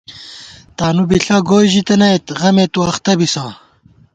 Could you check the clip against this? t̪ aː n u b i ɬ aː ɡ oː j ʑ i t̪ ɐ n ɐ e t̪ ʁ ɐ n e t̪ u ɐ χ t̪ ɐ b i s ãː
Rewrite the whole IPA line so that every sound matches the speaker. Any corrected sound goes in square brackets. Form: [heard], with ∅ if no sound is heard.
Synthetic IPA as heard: t̪ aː n u b i ɬ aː ɡ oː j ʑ i t̪ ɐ n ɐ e t̪ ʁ ɐ [m] e t̪ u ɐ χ t̪ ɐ b i s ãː